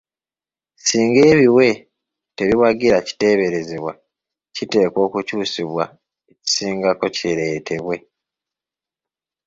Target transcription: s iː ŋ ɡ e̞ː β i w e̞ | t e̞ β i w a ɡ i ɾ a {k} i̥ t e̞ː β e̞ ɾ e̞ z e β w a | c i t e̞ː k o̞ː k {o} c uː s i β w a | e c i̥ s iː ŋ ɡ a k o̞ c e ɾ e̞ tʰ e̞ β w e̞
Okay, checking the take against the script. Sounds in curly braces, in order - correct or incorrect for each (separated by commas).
incorrect, incorrect